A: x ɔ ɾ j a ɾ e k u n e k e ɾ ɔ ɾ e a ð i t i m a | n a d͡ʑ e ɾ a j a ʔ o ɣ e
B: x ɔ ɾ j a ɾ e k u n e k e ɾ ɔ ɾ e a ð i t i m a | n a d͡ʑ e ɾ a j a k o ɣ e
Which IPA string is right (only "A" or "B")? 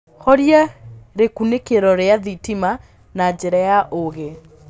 A